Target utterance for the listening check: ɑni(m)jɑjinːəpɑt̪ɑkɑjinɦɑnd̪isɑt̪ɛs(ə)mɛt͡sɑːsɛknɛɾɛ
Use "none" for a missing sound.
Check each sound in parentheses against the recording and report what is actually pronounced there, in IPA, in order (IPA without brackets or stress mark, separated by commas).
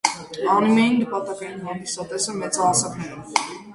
m, ə